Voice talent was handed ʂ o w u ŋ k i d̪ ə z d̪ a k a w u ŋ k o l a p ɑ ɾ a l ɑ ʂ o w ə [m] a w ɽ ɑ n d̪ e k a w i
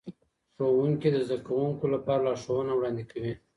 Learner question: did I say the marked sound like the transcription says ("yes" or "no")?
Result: no